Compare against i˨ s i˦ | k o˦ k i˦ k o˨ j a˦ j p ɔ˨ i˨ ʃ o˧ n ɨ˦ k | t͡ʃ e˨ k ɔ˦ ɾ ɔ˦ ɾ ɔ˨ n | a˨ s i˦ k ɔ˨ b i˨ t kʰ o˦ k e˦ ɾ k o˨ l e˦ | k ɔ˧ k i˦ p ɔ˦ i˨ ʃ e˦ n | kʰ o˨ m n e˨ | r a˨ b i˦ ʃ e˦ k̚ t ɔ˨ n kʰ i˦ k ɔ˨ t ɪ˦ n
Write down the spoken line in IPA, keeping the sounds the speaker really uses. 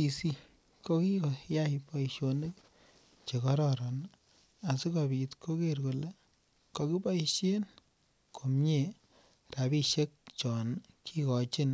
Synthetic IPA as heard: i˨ s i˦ | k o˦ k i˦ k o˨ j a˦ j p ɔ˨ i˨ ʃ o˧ n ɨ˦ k | t͡ʃ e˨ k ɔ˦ ɾ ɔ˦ ɾ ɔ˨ n | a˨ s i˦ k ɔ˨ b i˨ t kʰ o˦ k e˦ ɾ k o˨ l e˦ | k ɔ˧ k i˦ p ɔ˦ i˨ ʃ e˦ n | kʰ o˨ m ɲ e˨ | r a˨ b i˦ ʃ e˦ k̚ t͡ʃ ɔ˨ n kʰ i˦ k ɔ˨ t͡ʃ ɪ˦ n